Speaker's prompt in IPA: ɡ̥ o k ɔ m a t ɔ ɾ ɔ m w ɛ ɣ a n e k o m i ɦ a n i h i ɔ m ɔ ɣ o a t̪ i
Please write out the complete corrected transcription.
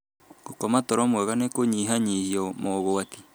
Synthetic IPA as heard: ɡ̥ o k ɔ m a t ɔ ɾ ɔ m w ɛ ɣ a n e k o ɲ i ɦ a ɲ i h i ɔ m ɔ ɣ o a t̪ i